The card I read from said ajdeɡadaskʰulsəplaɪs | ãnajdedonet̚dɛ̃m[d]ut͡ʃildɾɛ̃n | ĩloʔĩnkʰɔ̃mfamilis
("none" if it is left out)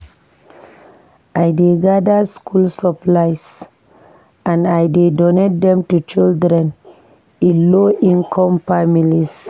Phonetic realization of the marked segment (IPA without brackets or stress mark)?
t